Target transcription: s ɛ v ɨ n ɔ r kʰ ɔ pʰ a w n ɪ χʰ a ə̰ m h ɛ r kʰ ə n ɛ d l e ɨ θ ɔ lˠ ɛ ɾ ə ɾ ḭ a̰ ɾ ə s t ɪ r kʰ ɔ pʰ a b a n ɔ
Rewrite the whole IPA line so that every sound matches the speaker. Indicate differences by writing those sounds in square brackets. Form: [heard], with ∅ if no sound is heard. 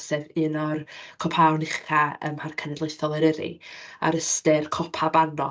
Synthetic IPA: s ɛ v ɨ n ɔ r kʰ ɔ pʰ a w n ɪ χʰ a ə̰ m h [a] r kʰ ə n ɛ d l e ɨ θ ɔ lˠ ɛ ɾ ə ɾ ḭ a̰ ɾ ə s t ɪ r kʰ ɔ pʰ a b a n ɔ